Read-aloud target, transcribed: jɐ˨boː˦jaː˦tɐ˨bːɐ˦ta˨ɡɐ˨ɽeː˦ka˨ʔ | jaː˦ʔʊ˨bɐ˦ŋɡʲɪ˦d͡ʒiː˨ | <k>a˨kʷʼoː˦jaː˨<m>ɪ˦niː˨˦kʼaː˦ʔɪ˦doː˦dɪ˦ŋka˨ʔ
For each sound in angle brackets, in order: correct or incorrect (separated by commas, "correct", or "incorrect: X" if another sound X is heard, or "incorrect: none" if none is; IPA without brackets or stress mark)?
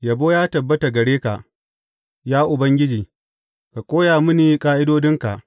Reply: correct, correct